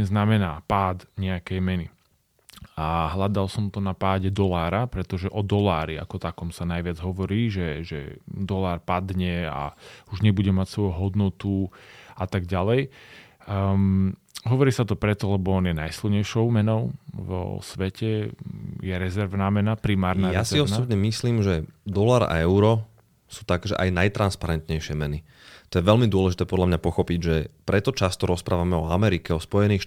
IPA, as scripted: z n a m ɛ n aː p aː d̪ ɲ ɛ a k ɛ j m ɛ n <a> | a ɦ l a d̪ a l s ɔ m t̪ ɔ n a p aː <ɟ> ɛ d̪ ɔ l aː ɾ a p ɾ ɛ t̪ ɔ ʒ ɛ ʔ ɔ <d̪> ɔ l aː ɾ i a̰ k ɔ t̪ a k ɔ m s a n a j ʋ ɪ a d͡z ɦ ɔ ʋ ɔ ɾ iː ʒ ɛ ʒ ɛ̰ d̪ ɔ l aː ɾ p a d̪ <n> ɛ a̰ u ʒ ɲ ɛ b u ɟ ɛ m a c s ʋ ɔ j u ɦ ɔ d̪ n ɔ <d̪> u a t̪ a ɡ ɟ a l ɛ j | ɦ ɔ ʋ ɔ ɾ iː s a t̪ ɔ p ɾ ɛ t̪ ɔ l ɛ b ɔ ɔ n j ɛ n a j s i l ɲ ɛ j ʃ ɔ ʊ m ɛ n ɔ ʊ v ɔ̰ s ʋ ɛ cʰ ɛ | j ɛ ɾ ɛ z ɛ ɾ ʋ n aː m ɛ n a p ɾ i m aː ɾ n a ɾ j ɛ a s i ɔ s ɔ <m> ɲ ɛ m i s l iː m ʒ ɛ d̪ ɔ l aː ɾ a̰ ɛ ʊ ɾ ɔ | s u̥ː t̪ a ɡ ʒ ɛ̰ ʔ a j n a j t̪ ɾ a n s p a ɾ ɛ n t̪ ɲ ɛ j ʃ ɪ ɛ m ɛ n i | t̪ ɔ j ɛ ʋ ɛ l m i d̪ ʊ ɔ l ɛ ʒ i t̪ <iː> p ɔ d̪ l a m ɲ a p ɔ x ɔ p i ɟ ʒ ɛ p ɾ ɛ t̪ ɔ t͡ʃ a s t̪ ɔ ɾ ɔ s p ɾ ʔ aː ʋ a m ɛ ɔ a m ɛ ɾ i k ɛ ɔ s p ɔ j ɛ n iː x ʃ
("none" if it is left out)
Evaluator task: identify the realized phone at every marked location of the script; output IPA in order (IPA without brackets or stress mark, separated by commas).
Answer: i, ɟ, d̪, ɲ, t̪, b, ɛː